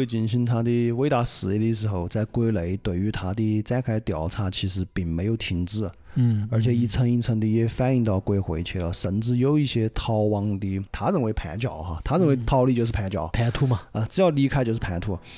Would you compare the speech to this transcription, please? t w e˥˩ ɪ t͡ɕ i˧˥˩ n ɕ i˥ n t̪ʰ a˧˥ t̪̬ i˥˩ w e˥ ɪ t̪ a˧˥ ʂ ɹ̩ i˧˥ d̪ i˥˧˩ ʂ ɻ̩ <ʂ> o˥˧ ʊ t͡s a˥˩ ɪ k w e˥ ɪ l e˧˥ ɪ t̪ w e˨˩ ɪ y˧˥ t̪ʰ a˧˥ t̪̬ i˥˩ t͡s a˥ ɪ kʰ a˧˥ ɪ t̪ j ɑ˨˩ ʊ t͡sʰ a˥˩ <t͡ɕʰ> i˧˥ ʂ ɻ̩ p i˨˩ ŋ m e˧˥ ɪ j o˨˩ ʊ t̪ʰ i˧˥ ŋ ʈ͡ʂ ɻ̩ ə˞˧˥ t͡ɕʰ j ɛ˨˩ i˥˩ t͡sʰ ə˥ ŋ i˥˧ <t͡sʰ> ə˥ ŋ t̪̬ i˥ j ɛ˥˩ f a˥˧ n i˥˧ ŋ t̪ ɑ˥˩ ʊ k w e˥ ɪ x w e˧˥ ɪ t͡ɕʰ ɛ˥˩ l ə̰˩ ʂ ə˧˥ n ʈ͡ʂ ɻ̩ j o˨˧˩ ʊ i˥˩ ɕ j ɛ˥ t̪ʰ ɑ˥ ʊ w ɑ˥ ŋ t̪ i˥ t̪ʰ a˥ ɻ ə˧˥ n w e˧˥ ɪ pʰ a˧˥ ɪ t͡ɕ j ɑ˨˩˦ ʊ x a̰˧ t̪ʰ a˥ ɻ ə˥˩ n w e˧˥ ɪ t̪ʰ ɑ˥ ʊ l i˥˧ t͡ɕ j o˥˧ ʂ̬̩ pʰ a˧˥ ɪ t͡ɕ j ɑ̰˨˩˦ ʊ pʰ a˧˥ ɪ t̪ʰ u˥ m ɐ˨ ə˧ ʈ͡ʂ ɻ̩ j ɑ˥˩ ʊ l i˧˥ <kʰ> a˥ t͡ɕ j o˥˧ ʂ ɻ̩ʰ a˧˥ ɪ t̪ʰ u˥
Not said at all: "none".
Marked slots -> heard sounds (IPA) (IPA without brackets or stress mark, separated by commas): x, t͡ɕʰ, t͡sʰ, kʰ